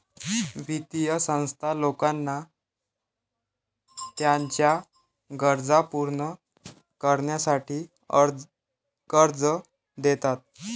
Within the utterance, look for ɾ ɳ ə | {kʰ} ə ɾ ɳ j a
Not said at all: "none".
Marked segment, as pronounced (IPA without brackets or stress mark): k